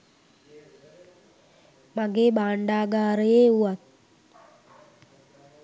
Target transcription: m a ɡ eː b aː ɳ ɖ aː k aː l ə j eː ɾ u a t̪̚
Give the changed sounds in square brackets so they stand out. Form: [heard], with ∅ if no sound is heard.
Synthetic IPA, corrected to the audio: m a ɡ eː b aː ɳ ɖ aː [ɡ] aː [ɾ] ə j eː [∅] u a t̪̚